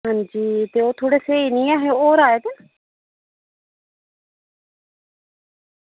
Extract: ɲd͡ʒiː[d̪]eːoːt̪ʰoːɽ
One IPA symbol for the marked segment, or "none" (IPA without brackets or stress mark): t̪